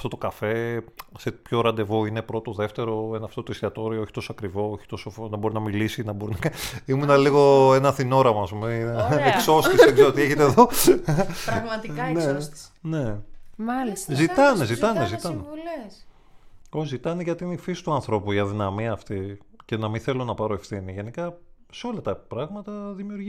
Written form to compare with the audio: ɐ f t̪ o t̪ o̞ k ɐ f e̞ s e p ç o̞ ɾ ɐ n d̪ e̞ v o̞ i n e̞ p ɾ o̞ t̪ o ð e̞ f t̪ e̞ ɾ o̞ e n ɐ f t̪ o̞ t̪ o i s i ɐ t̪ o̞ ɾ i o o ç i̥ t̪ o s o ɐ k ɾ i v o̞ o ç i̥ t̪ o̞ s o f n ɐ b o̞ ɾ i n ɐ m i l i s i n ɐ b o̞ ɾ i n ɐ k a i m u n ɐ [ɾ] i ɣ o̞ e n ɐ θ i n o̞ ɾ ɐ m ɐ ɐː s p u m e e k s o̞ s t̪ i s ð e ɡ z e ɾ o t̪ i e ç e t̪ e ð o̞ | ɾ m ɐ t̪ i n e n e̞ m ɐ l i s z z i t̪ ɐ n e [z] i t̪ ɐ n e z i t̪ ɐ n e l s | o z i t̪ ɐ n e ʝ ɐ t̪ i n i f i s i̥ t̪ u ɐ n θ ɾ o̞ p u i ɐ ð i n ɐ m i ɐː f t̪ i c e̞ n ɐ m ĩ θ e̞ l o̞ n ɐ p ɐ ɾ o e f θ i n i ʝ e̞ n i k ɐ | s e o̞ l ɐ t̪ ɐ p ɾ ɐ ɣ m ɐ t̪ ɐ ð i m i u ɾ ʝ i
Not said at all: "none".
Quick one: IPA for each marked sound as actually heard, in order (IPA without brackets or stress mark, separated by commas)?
l, z